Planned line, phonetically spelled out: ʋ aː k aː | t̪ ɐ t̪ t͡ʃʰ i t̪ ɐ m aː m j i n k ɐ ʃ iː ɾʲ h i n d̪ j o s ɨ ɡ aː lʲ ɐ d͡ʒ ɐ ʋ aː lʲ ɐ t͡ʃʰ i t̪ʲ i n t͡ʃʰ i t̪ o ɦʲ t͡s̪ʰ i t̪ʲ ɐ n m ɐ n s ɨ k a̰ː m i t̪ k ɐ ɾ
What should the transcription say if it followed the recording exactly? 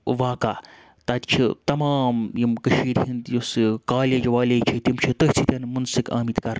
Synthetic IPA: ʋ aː k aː | t̪ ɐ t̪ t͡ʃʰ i t̪ ɐ m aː m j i m k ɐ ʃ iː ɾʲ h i n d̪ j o s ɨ k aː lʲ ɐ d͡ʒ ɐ ʋ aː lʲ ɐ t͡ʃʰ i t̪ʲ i m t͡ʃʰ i t̪ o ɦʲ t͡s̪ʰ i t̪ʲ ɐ n m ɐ n s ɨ k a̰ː m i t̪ k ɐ ɾ

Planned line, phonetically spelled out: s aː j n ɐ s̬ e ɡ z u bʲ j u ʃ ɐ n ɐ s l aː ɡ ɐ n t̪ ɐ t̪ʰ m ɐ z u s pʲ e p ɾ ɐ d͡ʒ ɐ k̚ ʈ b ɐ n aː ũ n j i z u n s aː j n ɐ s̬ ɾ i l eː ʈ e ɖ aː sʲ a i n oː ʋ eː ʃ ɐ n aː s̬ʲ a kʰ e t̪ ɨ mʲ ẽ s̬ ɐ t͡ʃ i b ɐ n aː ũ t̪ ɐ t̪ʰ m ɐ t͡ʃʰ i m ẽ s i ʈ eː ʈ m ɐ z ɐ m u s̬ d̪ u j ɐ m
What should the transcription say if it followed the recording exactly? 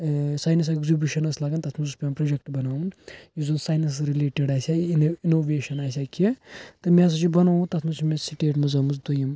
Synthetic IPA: s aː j n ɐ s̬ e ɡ z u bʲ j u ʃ ɐ n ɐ s l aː ɡ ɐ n t̪ ɐ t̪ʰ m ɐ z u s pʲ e p ɾ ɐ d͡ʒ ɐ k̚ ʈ b ɐ n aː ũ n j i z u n s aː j n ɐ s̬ ɾ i l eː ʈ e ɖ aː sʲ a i n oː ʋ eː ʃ ɐ n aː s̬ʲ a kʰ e t̪ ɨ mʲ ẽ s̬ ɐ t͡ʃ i b ɐ n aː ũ t̪ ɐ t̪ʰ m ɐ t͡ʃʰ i m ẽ s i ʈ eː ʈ m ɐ z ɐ m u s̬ d̪ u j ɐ m

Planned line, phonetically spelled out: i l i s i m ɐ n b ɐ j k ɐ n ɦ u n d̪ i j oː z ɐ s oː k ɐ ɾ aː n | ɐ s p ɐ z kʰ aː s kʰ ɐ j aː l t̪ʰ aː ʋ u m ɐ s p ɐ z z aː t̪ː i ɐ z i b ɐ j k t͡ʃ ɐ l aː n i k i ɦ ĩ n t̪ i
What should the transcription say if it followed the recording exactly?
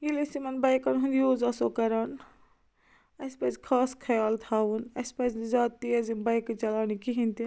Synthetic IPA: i l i s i m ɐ n b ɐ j k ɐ n ɦ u n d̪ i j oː z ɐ s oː k ɐ ɾ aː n | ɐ s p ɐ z kʰ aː s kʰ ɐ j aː l t̪ʰ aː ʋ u n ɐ s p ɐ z z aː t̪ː i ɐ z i b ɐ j k t͡ʃ ɐ l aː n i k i ɦ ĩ n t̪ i

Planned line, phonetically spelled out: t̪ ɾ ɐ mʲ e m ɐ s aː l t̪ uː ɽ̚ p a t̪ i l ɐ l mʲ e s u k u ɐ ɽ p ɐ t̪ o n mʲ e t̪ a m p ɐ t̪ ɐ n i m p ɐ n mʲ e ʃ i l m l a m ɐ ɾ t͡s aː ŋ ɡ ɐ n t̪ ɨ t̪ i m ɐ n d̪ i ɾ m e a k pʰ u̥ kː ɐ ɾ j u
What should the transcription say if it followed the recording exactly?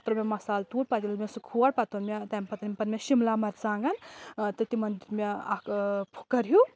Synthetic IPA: t̪ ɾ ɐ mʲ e m ɐ s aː l t̪ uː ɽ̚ p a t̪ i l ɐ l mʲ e s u kʰ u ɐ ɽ p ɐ t̪ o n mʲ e t̪ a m p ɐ t̪ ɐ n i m p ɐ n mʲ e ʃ i m l a m ɐ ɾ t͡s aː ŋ ɡ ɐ n t̪ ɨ t̪ i m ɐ n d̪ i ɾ m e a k pʰ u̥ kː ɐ ɾ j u

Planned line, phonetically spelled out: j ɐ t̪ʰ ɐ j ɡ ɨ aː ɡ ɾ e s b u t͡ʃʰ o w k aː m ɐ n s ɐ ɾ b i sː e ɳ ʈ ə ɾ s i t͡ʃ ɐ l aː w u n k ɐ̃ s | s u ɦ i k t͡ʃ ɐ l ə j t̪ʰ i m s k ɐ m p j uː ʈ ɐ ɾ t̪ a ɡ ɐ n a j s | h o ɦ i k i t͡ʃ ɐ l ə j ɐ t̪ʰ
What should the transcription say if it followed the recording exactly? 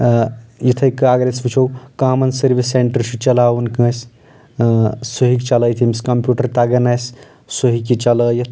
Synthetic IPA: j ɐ t̪ʰ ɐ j k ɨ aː ɡ ɾ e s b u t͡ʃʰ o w k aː m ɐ n s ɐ ɾ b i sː e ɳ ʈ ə ɾ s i t͡ʃ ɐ l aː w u n k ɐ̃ s | s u ɦ i k t͡ʃ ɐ l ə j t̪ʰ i m s k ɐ m p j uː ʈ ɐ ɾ t̪ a ɡ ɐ n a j s | s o ɦ i k i t͡ʃ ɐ l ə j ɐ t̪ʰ

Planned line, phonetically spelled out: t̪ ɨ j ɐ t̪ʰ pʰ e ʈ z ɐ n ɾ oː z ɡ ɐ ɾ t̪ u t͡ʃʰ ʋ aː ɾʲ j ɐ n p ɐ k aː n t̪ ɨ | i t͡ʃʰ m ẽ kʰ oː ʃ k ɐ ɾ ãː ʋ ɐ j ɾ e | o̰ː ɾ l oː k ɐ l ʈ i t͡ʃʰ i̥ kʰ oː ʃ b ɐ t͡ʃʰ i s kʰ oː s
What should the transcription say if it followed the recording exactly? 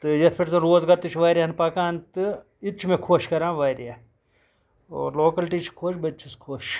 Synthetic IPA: t̪ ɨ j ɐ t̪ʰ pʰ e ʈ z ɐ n ɾ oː z ɡ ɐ ɾ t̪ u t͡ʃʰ ʋ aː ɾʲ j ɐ n p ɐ k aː n t̪ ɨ | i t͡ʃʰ m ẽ kʰ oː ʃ k ɐ ɾ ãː ʋ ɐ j ɾ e | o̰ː ɾ l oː k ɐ l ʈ i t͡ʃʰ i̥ kʰ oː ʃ b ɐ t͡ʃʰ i s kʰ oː ʃ

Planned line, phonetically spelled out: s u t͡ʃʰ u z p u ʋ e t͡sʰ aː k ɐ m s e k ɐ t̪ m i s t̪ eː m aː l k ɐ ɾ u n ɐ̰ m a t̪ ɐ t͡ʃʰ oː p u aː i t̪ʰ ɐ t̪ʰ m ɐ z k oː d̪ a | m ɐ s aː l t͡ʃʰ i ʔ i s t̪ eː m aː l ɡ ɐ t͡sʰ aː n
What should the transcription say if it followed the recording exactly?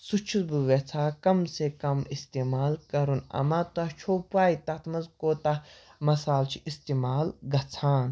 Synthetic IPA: s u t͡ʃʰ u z b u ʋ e t͡sʰ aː k ɐ m s e k ɐ m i s t̪ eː m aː l k ɐ ɾ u n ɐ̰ m a t̪ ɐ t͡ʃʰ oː p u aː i t̪ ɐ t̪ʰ m ɐ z k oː t̪ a | m ɐ s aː l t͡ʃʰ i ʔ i s t̪ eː m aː l ɡ ɐ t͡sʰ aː n

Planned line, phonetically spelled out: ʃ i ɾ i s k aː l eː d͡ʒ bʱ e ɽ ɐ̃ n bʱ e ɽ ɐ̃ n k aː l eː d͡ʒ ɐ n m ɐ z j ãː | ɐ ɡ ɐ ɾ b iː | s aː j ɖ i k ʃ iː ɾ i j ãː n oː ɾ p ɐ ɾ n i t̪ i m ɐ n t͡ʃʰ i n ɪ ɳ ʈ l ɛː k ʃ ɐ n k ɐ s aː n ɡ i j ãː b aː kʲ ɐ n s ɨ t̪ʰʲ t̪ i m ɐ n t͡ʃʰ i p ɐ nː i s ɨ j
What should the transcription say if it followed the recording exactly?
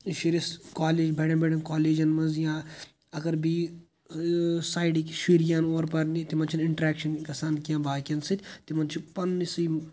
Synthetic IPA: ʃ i ɾ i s k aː l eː d͡ʒ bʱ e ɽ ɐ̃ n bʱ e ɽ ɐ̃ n k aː l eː d͡ʒ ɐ n m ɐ z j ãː | ɐ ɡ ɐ ɾ b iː | s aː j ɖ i k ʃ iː ɾ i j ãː n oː ɾ p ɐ ɾ n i t̪ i m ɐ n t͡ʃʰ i n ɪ ɳ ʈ ɾ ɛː k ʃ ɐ n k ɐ s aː n k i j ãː b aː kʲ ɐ n s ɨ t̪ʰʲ t̪ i m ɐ n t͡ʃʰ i p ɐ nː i s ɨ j

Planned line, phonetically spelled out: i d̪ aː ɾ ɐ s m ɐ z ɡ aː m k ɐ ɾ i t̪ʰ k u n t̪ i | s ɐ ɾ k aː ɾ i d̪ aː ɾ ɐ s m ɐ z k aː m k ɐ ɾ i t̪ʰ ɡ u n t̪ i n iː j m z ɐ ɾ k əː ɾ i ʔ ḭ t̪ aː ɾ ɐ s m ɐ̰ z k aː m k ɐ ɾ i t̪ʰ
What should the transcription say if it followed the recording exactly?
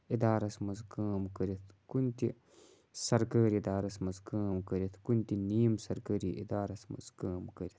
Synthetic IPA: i d̪ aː ɾ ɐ s m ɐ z k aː m k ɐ ɾ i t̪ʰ k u n t̪ i | s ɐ ɾ k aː ɾ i d̪ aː ɾ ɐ s m ɐ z k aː m k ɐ ɾ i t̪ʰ k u n t̪ i n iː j m s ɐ ɾ k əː ɾ i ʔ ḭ d̪ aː ɾ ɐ s m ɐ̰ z k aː m k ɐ ɾ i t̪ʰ

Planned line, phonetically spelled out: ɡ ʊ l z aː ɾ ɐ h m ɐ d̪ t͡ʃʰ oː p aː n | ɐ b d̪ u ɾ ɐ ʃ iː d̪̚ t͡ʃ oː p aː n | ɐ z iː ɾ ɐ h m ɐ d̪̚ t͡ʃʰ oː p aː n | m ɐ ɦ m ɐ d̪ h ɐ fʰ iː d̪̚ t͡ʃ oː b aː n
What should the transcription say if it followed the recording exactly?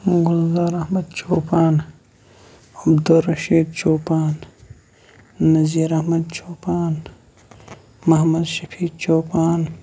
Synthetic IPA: ɡ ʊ l z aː ɾ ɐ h m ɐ d̪ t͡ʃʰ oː p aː n | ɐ b d̪ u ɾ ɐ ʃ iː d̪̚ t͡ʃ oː p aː n | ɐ z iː ɾ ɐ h m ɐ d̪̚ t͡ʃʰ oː p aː n | m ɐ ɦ m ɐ d̪ ʃ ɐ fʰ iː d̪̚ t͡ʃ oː p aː n

